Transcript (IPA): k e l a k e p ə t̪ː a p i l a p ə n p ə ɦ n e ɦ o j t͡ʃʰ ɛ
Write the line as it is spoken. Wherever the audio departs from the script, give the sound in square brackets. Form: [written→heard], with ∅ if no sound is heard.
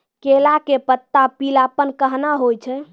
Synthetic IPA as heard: k e l a k e p ə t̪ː a p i l a p ə n [p→k] ə ɦ n [e→a] ɦ o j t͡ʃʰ ɛ